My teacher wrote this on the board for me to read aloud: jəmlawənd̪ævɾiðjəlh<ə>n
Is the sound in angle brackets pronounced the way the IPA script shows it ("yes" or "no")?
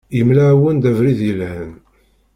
yes